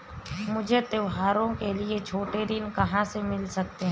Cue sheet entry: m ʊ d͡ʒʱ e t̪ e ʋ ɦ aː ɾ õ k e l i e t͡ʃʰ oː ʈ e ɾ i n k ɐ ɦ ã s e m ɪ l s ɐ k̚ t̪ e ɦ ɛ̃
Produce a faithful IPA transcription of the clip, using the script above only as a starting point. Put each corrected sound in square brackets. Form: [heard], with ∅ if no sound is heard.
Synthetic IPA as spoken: m ʊ d͡ʒʱ e t̪ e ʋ ɦ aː ɾ õ k e l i e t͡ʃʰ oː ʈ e ɾ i n k ɐ ɦ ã s e m ɪ l s ɐ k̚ t̪ e ɦ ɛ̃